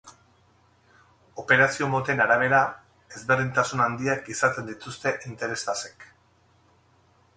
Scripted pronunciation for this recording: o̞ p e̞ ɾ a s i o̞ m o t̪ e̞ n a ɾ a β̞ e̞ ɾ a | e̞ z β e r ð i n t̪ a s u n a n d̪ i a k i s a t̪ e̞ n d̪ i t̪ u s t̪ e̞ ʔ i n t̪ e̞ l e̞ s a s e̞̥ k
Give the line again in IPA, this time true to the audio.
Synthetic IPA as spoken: o̞ p e̞ ɾ a s i o̞ m o t̪ e̞ n a ɾ a β̞ e̞ ɾ a | e̞ z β e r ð i n t̪ a s u n a n d̪ i a k i s a t̪ e̞ n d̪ i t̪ u s t̪ e̞ ʔ i n t̪ e̞ ɾ e̞ s a s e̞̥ k